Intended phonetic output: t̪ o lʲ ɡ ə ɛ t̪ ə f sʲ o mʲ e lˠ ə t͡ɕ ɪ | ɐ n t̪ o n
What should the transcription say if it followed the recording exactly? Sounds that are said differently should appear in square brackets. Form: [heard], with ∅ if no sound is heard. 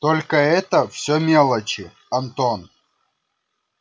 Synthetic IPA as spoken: t̪ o lʲ [k] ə ɛ t̪ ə f sʲ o mʲ e lˠ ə t͡ɕ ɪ | ɐ n t̪ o n